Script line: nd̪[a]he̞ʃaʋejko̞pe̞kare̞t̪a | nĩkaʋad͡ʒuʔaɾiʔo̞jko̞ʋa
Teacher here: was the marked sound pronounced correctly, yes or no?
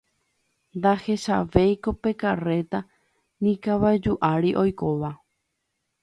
yes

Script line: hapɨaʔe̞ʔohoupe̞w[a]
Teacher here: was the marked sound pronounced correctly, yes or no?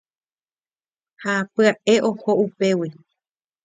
no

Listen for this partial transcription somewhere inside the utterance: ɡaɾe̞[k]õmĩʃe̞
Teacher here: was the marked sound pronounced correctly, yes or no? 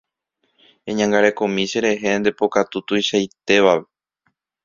yes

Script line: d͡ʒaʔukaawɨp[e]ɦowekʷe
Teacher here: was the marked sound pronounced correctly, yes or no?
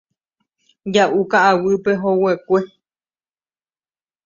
yes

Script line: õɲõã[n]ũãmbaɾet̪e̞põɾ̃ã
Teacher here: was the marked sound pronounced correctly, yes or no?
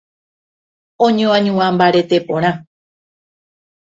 no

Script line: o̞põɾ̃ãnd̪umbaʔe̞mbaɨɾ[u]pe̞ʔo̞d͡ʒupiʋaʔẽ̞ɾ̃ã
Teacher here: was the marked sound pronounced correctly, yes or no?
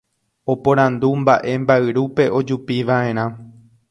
yes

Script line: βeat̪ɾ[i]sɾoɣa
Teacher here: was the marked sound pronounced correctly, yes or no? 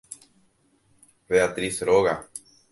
yes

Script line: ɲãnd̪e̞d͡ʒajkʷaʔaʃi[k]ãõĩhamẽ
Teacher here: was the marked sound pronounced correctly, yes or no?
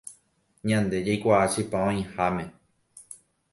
no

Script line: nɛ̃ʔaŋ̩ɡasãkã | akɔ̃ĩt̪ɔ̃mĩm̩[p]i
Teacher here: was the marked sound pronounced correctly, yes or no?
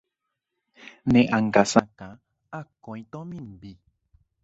no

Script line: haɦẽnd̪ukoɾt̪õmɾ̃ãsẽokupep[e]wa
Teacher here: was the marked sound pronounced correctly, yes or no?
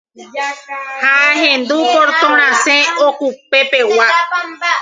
yes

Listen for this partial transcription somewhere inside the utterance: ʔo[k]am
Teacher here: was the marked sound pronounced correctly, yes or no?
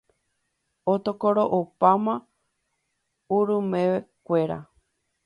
no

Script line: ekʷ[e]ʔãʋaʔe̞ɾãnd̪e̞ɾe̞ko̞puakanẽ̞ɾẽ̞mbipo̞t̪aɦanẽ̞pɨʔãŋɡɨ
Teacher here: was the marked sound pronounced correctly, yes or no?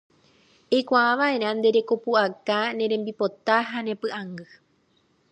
no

